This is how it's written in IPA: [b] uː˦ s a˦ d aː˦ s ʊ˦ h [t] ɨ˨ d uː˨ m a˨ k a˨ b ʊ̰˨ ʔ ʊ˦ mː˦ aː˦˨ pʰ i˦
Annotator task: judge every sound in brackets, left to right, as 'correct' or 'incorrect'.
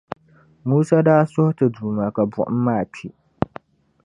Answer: incorrect, correct

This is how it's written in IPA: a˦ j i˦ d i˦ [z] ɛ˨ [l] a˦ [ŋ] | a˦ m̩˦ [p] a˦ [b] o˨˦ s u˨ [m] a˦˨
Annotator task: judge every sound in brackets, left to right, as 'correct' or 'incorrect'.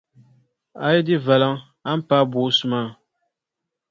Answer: incorrect, correct, correct, correct, correct, correct

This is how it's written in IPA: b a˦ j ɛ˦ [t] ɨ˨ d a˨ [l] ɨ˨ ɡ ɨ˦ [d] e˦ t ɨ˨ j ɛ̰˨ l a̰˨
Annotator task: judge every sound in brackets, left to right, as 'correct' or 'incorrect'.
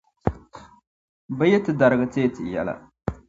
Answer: correct, incorrect, incorrect

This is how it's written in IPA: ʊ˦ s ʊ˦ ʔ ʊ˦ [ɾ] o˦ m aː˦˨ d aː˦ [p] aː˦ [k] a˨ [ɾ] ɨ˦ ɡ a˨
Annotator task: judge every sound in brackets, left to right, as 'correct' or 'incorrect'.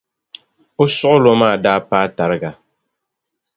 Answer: incorrect, correct, incorrect, correct

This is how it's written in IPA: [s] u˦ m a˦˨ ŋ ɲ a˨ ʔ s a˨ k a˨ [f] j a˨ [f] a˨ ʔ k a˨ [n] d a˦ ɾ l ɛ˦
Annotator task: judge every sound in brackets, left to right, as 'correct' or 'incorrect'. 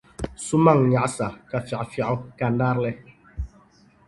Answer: correct, correct, correct, correct

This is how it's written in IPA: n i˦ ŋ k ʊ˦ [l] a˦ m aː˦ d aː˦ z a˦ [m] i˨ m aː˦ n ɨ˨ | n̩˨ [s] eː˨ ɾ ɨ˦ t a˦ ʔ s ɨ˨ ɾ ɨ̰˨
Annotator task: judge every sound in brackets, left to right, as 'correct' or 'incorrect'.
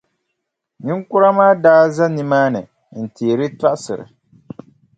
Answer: incorrect, incorrect, incorrect

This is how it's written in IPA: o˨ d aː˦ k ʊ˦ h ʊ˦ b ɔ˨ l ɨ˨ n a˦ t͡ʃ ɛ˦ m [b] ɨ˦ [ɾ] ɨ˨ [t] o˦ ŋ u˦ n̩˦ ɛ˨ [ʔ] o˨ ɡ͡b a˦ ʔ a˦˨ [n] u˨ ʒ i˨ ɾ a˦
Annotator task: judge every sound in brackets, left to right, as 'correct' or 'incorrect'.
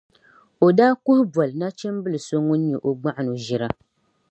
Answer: correct, incorrect, incorrect, correct, correct

